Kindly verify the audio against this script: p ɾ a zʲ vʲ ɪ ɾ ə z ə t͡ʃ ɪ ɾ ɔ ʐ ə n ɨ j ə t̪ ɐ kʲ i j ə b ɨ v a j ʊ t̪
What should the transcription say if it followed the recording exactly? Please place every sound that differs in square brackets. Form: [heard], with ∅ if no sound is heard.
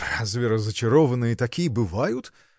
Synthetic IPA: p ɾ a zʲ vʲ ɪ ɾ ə z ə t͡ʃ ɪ ɾ ɔ [v] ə n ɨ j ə t̪ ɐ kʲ i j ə b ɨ v a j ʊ t̪